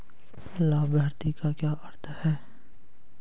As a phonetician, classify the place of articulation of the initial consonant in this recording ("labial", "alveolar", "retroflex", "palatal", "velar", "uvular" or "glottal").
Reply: alveolar